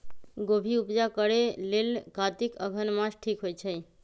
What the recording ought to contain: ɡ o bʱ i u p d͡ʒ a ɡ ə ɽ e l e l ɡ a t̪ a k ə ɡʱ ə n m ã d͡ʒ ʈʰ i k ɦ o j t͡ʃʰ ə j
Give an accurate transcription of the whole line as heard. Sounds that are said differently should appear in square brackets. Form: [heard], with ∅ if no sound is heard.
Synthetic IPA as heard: ɡ o bʱ i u p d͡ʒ a [k] ə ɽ e l e l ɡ a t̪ [i] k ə ɡʱ ə n m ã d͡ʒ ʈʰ i k ɦ o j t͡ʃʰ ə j